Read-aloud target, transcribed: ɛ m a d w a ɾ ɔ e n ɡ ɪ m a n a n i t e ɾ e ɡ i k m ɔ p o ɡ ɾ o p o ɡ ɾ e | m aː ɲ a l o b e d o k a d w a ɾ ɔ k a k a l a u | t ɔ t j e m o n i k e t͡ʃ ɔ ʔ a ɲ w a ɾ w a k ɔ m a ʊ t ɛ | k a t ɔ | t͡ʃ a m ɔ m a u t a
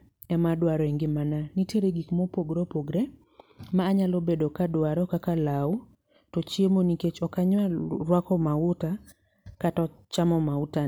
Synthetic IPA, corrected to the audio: ɛ m a d w a ɾ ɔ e ŋ ɡ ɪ m a n a n i t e ɾ e ɡ i k m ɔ p o ɡ ɾ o p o ɡ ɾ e | m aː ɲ a l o b e d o k a d w a ɾ ɔ k a k a l a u | t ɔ t͡ʃ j e m o n i k e t͡ʃ ɔ k a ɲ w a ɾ w a k ɔ m a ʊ t a | k a t ɔ | t͡ʃ a m ɔ m a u t a